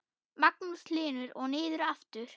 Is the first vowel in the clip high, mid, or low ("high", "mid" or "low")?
low